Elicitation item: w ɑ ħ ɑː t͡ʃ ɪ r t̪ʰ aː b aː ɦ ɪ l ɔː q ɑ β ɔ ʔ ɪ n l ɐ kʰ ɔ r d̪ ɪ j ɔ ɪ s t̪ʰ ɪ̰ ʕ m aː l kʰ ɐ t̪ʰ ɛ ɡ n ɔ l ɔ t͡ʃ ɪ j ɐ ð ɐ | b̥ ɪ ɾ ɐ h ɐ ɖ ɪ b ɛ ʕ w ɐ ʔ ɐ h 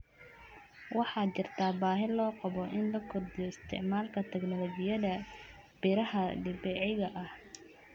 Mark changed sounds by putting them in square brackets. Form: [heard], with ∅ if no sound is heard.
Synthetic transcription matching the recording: w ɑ ħ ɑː t͡ʃ ɪ r t̪ʰ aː b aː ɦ ɪ l ɔː q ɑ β ɔ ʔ ɪ n l ɐ kʰ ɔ r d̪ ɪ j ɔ ɪ s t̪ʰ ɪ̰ ʕ m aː l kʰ ɐ t̪ʰ ɛ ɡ n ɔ l ɔ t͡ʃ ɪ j ɐ ð ɐ | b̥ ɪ ɾ ɐ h ɐ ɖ ɪ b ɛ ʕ [ɣ] ɐ ʔ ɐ h